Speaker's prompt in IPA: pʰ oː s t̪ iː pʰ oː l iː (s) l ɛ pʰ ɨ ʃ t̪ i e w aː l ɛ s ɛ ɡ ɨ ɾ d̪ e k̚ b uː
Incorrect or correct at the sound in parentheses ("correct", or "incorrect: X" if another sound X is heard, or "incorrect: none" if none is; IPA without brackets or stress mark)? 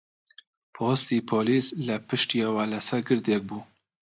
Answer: correct